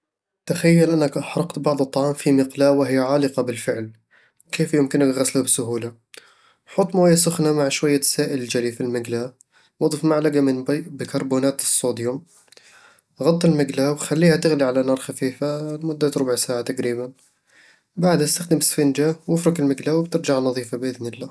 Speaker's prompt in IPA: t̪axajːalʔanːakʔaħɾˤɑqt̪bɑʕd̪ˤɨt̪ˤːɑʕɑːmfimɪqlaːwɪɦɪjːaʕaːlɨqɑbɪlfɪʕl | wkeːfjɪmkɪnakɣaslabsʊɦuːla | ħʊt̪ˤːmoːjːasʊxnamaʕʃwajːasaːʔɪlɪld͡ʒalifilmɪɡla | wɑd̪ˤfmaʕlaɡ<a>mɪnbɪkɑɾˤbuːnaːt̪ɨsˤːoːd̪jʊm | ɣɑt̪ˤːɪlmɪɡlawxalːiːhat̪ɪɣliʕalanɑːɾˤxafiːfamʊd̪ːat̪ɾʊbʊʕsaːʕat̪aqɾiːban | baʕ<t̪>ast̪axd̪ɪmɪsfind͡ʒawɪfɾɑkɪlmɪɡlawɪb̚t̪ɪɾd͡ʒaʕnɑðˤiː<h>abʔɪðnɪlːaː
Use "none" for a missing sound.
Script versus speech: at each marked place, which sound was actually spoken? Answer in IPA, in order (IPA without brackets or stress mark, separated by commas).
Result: a, d̪, f